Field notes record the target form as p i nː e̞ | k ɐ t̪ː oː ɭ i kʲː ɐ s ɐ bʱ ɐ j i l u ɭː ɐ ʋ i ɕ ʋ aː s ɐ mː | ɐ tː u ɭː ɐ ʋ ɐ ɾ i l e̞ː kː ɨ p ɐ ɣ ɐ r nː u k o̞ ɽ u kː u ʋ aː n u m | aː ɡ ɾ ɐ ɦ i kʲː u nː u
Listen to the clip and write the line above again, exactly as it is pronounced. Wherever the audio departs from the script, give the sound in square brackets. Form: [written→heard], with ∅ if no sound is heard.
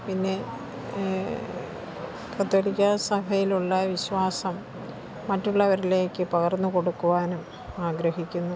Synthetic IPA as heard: p i nː e̞ | k ɐ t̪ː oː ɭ i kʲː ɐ s ɐ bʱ ɐ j i l u ɭː ɐ ʋ i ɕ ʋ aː s ɐ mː | ɐ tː u ɭː ɐ ʋ ɐ ɾ i l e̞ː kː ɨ p ɐ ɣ ɐ r nː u k o̞ ɽ u kː u ʋ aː n u m | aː ɡ ɾ ɐ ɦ i kʲː u nː u

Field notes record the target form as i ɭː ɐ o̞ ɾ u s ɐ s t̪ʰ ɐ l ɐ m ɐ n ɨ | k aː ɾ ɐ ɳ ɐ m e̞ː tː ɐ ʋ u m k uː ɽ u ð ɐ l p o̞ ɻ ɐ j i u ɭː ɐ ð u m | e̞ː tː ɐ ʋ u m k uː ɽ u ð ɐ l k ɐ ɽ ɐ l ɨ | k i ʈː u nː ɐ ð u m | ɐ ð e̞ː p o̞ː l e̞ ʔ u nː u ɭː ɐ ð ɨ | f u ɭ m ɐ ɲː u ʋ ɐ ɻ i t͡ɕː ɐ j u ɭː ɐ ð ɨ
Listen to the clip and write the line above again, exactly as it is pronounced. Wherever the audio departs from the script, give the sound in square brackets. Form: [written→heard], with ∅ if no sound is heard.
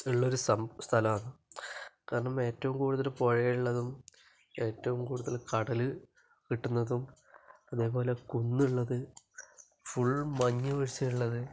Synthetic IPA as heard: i ɭː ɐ o̞ ɾ u s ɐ s t̪ʰ ɐ l ɐ m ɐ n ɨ | k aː ɾ ɐ ɳ ɐ m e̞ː tː ɐ ʋ u m k uː ɽ u ð ɐ l p o̞ ɻ ɐ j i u ɭː ɐ ð u m | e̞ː tː ɐ ʋ u m k uː ɽ u ð ɐ l k ɐ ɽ ɐ l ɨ | k i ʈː u nː ɐ ð u m | ɐ ð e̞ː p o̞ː l e̞ [ʔ→k] u nː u ɭː ɐ ð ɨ | f u ɭ m ɐ ɲː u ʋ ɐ ɻ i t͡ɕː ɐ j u ɭː ɐ ð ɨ

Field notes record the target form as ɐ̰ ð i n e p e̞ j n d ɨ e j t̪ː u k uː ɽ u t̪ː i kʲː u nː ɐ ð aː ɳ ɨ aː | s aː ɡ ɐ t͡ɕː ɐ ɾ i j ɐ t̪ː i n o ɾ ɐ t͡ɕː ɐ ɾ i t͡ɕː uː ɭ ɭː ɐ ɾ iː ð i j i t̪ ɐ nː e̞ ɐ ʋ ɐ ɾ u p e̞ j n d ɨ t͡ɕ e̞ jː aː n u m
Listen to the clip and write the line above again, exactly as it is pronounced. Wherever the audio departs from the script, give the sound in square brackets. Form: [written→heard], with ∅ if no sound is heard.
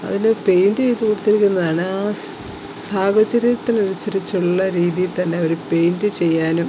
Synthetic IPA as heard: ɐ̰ ð i n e p e̞ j n d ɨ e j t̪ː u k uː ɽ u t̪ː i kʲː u nː ɐ ð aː ɳ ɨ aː | s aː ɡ ɐ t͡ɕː ɐ ɾ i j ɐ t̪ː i n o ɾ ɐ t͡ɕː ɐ ɾ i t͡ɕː [uː→u] ɭ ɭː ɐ ɾ iː ð i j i t̪ ɐ nː e̞ ɐ ʋ ɐ ɾ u p e̞ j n d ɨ t͡ɕ e̞ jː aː n u m

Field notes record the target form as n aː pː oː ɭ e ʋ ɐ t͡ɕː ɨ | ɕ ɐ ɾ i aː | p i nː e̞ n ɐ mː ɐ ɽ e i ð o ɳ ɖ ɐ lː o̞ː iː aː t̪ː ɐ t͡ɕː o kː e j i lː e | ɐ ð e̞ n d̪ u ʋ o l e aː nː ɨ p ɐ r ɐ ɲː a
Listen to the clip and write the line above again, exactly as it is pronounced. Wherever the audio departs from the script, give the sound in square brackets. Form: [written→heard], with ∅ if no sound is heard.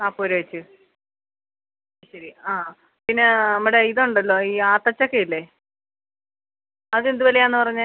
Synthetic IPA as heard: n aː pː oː [ɭ→ɾ] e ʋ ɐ t͡ɕː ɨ | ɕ ɐ ɾ i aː | p i nː e̞ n ɐ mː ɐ ɽ e i ð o ɳ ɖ ɐ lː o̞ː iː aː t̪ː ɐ t͡ɕː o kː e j i lː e | ɐ ð e̞ n d̪ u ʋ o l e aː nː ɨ p ɐ r ɐ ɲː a

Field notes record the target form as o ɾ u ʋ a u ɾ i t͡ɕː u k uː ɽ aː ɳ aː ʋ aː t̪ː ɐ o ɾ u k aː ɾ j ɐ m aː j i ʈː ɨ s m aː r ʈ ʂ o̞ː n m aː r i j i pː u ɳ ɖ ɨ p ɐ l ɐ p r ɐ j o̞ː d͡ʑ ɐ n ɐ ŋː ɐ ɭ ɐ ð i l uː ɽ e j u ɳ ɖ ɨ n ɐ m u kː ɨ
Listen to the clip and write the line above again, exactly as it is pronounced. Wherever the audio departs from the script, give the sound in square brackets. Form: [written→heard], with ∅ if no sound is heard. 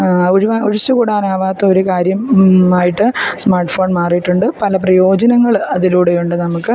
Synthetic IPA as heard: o ɾ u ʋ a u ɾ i t͡ɕː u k uː ɽ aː [ɳ→n] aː ʋ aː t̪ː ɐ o ɾ u k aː ɾ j ɐ m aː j i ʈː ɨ s m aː r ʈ [ʂ→f] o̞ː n m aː r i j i [pː→ʈː] u ɳ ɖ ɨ p ɐ l ɐ p r ɐ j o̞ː d͡ʑ ɐ n ɐ ŋː ɐ ɭ ɐ ð i l uː ɽ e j u ɳ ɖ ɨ n ɐ m u kː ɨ

